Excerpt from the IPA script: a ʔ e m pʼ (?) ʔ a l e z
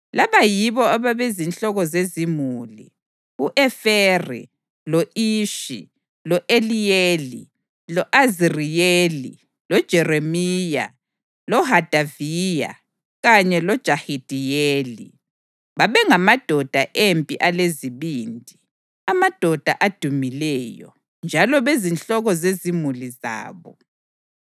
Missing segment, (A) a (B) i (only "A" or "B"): B